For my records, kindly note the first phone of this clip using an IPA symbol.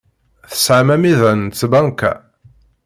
θ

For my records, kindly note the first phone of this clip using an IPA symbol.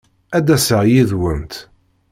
æ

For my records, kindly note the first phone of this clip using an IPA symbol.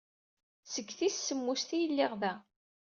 s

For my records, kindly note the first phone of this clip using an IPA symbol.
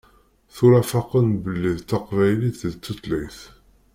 θ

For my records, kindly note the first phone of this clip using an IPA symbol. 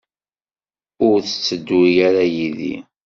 ʊ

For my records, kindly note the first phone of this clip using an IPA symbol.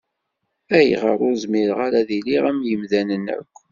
æ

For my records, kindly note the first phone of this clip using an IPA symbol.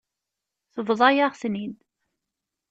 θ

